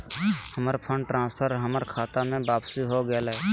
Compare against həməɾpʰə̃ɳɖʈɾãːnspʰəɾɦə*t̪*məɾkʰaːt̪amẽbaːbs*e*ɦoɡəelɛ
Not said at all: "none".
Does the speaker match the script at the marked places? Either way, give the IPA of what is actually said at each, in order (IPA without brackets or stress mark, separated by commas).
none, i